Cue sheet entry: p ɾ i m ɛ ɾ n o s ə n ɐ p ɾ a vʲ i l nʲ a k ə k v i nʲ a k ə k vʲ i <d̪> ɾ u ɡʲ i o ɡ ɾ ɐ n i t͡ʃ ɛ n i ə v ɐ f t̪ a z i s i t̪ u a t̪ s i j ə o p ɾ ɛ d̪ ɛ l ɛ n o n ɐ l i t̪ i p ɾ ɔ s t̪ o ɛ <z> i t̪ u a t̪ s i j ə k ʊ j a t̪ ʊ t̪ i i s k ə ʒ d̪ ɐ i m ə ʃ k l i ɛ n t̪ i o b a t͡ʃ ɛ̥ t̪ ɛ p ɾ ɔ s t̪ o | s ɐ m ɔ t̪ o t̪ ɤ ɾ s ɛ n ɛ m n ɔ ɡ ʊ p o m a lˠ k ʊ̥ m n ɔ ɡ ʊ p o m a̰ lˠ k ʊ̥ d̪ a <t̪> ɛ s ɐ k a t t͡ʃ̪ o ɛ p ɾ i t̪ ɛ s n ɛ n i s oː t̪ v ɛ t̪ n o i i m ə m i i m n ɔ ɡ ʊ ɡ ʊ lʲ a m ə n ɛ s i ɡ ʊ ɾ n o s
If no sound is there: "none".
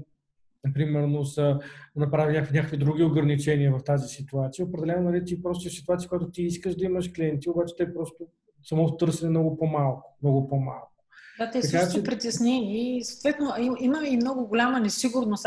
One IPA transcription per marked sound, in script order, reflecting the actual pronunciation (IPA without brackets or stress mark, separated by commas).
d̪, s, t̪